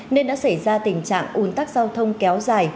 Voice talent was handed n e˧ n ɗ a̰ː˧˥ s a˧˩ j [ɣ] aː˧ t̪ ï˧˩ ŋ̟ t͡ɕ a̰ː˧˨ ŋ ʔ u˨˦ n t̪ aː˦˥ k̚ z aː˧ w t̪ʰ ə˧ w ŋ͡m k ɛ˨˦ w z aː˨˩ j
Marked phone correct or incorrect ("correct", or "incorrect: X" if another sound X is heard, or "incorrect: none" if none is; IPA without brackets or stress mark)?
incorrect: z